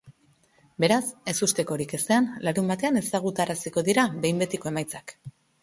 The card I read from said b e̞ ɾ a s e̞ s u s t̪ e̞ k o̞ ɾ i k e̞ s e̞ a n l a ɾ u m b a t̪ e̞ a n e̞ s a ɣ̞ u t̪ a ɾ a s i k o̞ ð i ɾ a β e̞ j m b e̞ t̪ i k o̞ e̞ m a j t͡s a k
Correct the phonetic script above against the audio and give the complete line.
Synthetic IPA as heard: b e̞ ɾ a s e̞ s u s t̪ e̞ k o̞ ɾ i k e̞ s e̞ a n l a ɾ u m b a t̪ e̞ a n e̞ s a ɣ̞ u t̪ a ɾ a s i k o̞ ð i ɾ a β e̞ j m b e̞ t̪ i k o̞ e̞ m a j t͡s a k